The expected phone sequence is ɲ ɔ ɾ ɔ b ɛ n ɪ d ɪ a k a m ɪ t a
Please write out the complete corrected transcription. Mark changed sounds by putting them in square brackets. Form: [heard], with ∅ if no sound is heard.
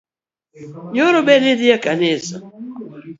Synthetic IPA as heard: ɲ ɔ ɾ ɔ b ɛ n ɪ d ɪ a k a [n] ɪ [s] a